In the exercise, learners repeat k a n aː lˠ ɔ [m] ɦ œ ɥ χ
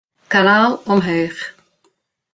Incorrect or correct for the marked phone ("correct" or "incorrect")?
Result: correct